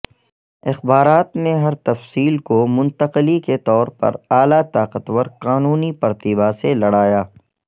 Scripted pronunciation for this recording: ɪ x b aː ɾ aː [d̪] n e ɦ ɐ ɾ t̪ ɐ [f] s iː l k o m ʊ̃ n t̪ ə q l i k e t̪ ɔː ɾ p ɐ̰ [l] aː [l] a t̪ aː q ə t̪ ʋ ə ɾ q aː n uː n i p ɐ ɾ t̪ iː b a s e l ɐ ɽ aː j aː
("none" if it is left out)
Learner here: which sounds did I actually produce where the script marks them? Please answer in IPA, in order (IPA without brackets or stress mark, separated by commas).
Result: t̪, f, ɾ, l